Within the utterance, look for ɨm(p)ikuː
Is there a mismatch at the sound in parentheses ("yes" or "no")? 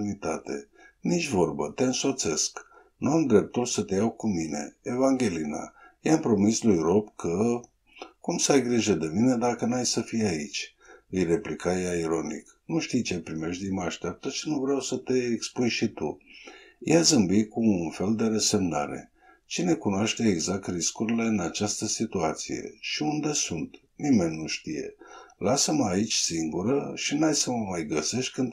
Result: yes